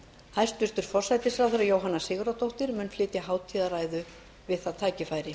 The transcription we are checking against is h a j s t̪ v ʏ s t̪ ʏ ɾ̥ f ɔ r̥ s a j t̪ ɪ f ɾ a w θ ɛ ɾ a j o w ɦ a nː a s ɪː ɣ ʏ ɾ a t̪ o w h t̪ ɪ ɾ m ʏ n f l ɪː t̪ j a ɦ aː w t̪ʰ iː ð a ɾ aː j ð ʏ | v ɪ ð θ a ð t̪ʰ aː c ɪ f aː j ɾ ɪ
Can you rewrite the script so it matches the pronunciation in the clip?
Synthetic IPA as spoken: h a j s t̪ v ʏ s t̪ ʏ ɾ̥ f ɔ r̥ s a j t̪ ɪ s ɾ a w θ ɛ ɾ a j o w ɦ a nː a s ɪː ɣ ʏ ɾ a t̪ o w h t̪ ɪ ɾ m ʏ n f l ɪː t̪ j a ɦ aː w t̪ʰ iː ð a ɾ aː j ð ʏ | v ɪ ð θ a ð t̪ʰ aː c ɪ f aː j ɾ ɪ